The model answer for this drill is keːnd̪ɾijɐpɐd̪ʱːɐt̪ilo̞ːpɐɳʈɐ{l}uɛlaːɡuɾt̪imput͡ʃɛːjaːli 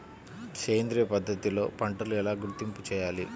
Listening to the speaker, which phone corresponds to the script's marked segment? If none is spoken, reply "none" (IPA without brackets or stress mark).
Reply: l